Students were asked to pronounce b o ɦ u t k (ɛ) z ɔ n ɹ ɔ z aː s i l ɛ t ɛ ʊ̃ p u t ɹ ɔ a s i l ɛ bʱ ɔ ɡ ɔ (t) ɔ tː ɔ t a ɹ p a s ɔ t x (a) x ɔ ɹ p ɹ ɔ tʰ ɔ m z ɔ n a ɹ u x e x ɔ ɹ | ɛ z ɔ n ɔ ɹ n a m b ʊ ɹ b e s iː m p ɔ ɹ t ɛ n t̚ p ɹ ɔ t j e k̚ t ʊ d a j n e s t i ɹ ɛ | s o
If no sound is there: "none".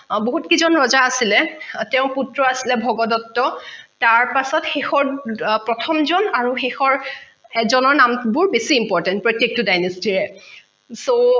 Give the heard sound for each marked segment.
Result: i, d, e

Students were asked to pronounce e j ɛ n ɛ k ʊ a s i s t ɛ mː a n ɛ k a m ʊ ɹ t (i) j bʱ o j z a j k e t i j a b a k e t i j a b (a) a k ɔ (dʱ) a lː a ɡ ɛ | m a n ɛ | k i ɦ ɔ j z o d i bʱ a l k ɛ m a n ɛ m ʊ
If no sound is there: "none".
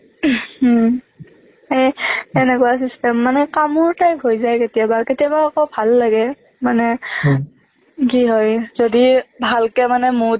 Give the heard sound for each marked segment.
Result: a, a, bʱ

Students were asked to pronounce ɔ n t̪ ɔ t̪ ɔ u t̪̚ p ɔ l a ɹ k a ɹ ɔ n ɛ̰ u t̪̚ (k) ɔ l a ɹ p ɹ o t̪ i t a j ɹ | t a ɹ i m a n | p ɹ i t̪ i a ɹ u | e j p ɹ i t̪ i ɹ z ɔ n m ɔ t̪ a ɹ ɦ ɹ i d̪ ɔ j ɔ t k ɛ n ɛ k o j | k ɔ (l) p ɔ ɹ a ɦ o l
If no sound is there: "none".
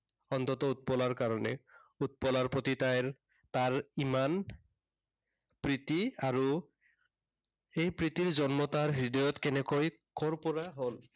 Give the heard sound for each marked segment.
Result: p, ɹ

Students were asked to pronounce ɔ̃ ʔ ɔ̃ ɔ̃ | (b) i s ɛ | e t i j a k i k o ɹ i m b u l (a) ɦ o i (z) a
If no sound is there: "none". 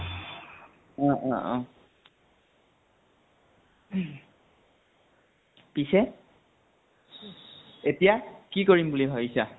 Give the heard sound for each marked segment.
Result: p, i, s

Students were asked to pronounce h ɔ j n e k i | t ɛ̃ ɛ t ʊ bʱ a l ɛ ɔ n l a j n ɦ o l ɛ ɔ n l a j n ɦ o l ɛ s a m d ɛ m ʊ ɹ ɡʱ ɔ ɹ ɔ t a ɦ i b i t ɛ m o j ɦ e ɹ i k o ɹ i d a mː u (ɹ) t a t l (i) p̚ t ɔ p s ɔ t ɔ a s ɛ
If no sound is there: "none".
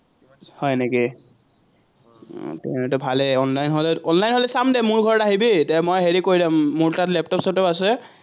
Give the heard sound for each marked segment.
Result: ɹ, ɛ

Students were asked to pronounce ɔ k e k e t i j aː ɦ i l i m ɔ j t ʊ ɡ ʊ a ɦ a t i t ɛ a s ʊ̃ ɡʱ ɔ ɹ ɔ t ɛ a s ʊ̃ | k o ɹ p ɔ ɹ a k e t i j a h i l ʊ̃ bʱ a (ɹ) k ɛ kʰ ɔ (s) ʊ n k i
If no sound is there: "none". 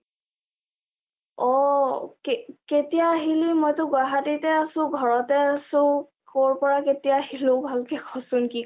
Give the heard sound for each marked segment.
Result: l, s

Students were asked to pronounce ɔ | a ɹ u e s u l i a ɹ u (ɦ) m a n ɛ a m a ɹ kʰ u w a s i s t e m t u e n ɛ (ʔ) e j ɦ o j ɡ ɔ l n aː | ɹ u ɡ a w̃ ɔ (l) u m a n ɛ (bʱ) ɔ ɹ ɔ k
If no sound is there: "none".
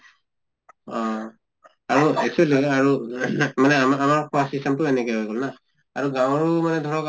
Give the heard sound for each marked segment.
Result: none, k, ɹ, dʱ

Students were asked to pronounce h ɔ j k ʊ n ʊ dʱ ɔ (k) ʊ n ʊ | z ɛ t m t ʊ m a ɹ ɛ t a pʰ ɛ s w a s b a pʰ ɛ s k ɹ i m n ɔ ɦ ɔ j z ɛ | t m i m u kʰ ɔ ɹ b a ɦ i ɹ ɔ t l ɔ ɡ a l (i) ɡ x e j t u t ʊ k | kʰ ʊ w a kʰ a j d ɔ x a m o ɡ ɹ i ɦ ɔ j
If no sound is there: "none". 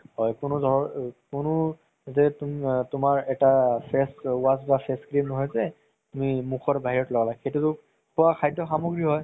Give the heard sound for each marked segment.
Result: k, a

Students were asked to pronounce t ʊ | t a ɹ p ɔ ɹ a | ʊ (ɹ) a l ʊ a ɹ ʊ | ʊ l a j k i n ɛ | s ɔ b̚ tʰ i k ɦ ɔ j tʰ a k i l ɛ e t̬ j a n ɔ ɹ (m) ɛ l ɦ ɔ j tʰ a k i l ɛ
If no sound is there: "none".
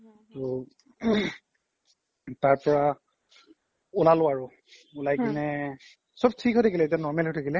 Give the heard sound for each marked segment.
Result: l, m

